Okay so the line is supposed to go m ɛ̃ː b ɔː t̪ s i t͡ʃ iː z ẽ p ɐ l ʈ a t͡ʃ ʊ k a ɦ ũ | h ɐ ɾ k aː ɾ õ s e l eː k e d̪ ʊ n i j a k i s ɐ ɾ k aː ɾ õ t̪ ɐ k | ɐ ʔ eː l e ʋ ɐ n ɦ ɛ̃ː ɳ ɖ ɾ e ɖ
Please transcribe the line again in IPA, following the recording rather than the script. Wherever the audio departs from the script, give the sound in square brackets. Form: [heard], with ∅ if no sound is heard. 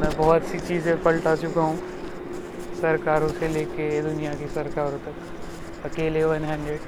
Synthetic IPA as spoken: m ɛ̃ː b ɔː t̪ s i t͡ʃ iː z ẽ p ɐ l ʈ a t͡ʃ ʊ k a ɦ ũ | [s] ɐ ɾ k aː ɾ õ s e l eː k e d̪ ʊ n i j a k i s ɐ ɾ k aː ɾ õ t̪ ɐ k | ɐ [k] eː l e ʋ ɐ n ɦ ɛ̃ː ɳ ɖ ɾ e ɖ